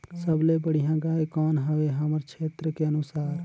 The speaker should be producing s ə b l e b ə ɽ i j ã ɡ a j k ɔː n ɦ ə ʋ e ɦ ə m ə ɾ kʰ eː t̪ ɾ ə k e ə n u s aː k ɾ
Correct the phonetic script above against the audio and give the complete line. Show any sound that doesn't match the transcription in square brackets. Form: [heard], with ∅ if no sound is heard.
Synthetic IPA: s ə b l e b ə ɽ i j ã ɡ a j k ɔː n ɦ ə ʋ e ɦ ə m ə ɾ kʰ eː t̪ ɾ ə k e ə n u s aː [∅] ɾ

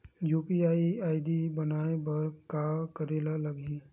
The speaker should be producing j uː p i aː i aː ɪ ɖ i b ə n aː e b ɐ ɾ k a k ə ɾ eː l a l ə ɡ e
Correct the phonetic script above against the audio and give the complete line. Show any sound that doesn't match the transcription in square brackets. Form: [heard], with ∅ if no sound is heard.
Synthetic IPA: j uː p i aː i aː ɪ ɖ i b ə n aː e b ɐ ɾ k a k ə ɾ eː l a l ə ɡ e

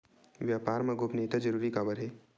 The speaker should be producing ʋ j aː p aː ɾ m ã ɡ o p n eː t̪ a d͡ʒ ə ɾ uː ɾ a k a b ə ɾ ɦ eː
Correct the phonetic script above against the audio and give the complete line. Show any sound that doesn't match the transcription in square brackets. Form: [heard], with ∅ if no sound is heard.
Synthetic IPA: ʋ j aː p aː ɾ m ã ɡ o p n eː t̪ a d͡ʒ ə ɾ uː ɾ [i] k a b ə ɾ ɦ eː

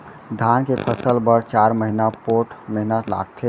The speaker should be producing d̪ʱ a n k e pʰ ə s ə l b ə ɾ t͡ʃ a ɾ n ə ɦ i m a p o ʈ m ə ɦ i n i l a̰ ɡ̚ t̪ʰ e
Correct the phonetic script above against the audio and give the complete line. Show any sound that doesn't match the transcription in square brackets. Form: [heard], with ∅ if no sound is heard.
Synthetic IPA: d̪ʱ a n k e pʰ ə s ə l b ə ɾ t͡ʃ a ɾ [m] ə ɦ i [n] a p o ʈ m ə ɦ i n [a] l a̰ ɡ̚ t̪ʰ e

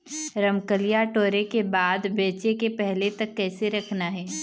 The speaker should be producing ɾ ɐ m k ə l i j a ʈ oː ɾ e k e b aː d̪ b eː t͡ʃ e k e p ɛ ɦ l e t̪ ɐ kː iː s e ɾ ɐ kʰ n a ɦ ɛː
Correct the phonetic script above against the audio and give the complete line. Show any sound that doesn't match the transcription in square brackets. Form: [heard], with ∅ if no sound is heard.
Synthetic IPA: ɾ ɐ m k ə l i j a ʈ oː ɾ e k e b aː d̪ b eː t͡ʃ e k e p ɛ ɦ l e t̪ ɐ kː [ɛː] s e ɾ ɐ kʰ n a ɦ ɛː

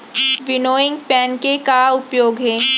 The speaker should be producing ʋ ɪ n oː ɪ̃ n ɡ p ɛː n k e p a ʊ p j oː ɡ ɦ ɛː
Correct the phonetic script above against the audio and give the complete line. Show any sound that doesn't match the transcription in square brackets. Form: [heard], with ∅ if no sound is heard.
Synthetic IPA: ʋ ɪ n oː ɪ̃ [ŋ] ɡ p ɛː n k e [k] a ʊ p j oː ɡ ɦ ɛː

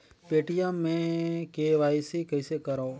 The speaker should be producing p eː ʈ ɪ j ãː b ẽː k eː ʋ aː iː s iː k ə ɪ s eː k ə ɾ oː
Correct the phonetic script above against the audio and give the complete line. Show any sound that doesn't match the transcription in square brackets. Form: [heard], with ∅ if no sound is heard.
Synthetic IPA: p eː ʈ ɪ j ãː [m] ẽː k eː ʋ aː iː s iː k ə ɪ s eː k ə ɾ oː

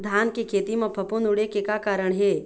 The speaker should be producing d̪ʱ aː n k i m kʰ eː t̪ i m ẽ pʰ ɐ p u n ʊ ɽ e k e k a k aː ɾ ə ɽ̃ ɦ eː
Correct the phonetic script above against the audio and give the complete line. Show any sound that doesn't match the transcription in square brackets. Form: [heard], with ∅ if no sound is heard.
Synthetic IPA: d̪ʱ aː n k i [∅] kʰ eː t̪ i m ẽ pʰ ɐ p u n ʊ ɽ e k e k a k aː ɾ ə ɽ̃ ɦ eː

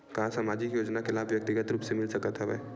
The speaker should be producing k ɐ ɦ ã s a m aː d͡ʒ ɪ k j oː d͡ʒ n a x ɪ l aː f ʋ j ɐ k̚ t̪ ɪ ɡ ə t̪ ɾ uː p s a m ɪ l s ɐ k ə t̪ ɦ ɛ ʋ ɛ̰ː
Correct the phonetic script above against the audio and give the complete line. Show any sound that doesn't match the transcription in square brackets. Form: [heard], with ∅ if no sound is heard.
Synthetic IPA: k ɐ ɦ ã s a m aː d͡ʒ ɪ k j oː d͡ʒ n a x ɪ l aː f ʋ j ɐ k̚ t̪ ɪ ɡ ə t̪ ɾ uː p s [e] m ɪ l s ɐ k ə t̪ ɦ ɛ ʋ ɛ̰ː

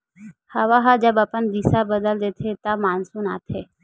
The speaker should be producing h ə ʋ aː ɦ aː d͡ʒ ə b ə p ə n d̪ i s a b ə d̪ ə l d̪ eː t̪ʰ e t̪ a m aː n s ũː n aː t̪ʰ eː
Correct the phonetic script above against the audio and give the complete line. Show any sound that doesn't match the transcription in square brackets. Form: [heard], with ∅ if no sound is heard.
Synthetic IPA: h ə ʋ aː ɦ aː d͡ʒ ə b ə p ə n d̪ i s a b ə d̪ ə l d̪ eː t̪ʰ e t̪ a m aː n s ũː n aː t̪ʰ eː

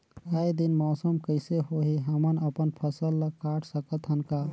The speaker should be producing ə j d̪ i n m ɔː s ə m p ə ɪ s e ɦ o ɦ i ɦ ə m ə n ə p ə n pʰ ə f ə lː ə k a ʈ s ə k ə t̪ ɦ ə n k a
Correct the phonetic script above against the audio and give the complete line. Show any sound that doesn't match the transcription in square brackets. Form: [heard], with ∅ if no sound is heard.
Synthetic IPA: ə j d̪ i n m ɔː s ə m [k] ə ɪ s e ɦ o ɦ i ɦ ə m ə n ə p ə n pʰ ə [s] ə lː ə k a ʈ s ə k ə t̪ ɦ ə n k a

